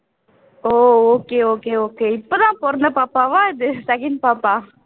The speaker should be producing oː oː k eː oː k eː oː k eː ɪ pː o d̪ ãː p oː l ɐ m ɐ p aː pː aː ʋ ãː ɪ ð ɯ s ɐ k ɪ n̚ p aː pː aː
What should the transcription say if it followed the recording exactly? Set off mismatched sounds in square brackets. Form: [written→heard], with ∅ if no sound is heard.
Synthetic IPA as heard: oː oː k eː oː k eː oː k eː ɪ pː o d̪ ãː p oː [l→ɾ] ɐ [m→n] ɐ p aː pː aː ʋ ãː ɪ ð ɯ s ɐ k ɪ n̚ p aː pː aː